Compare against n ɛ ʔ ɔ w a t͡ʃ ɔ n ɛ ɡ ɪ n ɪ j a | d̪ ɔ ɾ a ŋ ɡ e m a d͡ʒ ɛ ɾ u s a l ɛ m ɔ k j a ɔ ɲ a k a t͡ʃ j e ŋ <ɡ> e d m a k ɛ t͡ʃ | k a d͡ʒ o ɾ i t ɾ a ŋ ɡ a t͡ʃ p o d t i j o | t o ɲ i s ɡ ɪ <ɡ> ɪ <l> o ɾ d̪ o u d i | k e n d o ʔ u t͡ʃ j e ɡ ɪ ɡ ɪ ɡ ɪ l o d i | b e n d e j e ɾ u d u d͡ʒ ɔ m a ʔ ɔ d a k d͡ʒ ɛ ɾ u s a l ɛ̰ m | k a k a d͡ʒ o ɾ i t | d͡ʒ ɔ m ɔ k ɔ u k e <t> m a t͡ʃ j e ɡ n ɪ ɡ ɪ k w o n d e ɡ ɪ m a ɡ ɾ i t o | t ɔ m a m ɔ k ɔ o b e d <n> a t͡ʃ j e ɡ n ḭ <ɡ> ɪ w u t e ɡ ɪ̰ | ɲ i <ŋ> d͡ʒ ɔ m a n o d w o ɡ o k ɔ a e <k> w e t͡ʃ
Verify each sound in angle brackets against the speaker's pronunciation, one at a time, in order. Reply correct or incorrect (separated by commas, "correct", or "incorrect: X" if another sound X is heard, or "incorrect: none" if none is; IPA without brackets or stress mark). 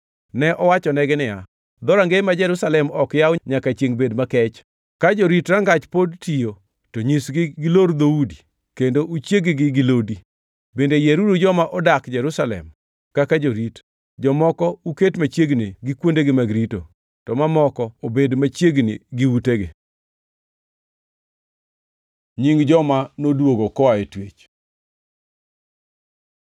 incorrect: b, correct, correct, correct, incorrect: m, correct, correct, incorrect: t